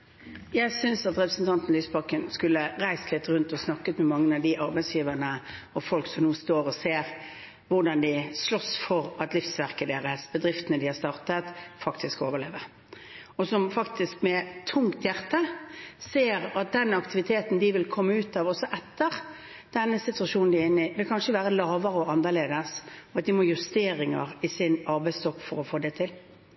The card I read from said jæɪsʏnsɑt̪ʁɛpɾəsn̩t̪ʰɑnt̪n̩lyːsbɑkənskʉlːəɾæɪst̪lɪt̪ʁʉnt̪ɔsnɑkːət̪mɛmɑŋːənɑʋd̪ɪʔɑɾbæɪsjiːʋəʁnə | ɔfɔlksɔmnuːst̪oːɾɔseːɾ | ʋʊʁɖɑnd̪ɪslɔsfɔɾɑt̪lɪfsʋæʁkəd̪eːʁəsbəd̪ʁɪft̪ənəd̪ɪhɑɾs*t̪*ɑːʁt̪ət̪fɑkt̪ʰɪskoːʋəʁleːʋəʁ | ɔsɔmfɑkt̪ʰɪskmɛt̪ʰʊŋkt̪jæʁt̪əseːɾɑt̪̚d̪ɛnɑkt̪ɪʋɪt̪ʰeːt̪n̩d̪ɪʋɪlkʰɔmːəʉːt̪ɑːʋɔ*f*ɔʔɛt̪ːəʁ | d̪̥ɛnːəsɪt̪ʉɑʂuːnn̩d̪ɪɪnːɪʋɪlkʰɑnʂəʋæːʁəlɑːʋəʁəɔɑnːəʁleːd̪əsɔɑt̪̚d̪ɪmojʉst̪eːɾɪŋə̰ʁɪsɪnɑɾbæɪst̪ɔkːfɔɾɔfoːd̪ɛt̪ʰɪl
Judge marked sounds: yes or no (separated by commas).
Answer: yes, no